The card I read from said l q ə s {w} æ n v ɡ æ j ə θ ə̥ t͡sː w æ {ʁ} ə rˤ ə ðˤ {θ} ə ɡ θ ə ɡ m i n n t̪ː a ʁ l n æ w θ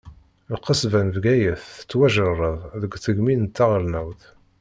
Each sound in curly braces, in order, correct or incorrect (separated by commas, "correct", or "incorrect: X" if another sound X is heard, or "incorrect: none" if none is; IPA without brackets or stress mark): incorrect: v, incorrect: ʒ, incorrect: ð